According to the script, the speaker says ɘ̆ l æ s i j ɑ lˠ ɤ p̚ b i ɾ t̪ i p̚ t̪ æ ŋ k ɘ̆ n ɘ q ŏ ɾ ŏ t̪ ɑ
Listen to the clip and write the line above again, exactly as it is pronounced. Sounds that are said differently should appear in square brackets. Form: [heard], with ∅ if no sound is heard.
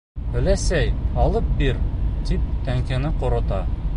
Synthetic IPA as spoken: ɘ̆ l æ s [æ] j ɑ lˠ ɤ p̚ b i ɾ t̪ i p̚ t̪ æ ŋ k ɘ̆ n ɘ q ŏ ɾ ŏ t̪ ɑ

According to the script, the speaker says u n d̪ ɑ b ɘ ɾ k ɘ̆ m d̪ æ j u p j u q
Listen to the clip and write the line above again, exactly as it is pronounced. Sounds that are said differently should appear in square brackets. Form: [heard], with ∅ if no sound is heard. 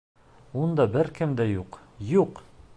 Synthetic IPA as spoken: u n d̪ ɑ b ɘ ɾ k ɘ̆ m d̪ æ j u [q] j u q

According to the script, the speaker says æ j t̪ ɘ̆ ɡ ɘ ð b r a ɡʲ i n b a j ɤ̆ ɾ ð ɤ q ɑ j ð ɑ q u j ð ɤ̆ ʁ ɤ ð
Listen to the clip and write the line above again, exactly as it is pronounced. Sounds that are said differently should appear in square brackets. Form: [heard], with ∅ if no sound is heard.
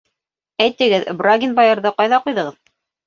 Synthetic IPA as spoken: æ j t̪ ɘ̆ ɡ ɘ ð b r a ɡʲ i n b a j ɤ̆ ɾ ð ɤ q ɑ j ð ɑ q u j ð ɤ̆ ʁ ɤ ð

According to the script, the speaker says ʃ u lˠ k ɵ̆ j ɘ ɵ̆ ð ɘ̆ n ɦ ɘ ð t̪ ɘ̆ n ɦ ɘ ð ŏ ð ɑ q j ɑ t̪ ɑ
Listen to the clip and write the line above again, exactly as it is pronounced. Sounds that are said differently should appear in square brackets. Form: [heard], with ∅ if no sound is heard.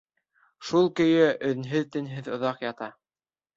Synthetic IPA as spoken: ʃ u lˠ k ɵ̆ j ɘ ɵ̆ ð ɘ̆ n ɦ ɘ ð t̪ ɘ̆ n ɦ ɘ ð ŏ ð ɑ q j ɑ t̪ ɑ

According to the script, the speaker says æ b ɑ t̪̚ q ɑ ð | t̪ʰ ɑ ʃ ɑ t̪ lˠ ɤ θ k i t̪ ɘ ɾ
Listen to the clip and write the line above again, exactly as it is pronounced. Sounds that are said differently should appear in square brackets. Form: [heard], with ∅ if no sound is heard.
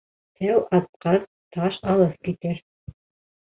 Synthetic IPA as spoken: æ [w] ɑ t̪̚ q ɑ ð | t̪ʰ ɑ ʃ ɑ [∅] lˠ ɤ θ k i t̪ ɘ ɾ

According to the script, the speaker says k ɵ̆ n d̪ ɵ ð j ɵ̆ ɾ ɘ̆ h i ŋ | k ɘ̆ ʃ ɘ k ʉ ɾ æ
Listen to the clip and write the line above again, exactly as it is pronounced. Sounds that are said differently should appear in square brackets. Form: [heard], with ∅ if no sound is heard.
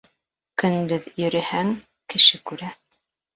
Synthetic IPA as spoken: k ɵ̆ n d̪ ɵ ð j ɵ̆ ɾ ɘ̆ h [æ] ŋ | k ɘ̆ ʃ ɘ k ʉ ɾ æ

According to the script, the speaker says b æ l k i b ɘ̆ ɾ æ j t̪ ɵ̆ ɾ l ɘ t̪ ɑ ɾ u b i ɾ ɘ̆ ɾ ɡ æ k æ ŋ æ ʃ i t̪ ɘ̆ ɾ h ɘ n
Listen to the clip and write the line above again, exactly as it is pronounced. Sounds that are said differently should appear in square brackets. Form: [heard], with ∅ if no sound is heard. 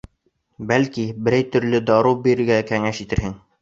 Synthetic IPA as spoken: b æ l k i b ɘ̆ ɾ æ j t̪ ɵ̆ ɾ l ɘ [d̪] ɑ ɾ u b i ɾ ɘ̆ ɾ ɡ æ k æ ŋ æ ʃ i t̪ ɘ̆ ɾ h ɘ [ŋ]

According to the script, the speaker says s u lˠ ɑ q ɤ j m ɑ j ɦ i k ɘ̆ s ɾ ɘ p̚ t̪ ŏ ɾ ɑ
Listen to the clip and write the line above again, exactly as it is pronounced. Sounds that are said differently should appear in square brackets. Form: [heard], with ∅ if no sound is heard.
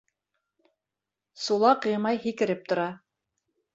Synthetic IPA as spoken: s u lˠ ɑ q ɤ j m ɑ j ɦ i k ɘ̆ [∅] ɾ ɘ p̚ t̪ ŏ ɾ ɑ

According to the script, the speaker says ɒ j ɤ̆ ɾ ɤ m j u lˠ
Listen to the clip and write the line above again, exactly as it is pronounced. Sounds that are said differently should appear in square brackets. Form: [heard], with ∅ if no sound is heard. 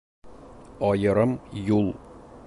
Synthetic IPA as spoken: ɒ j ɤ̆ ɾ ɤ m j u lˠ

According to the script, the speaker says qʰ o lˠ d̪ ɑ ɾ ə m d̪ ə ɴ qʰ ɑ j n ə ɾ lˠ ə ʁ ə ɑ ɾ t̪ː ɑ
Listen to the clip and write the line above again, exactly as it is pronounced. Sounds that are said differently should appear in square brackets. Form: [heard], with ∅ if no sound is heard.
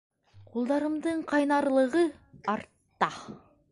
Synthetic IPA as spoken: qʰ o lˠ d̪ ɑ ɾ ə m d̪ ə ɴ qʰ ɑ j n [ɑ] ɾ lˠ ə ʁ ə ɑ ɾ t̪ː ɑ

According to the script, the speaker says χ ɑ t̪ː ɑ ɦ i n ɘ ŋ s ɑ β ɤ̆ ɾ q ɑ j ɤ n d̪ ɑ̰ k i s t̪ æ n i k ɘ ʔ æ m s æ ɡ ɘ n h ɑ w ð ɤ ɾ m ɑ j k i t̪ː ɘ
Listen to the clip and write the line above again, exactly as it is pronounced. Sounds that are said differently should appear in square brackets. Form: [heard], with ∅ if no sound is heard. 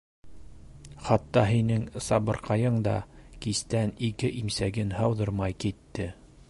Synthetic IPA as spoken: χ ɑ t̪ː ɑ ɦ i n ɘ ŋ s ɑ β ɤ̆ ɾ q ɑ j ɤ [ɴ] d̪ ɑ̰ k i s t̪ æ n i k ɘ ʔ [i] m s æ ɡ ɘ n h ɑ w ð ɤ ɾ m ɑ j k i t̪ː ɘ

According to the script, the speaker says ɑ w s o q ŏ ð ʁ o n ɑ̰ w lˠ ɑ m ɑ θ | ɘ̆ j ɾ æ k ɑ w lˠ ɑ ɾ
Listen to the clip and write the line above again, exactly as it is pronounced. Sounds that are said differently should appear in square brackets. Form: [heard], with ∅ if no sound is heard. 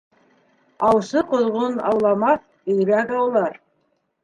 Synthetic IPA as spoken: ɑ w s [ɤ] q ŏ ð ʁ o n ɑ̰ w lˠ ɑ m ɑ θ | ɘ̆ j ɾ æ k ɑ w lˠ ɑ ɾ

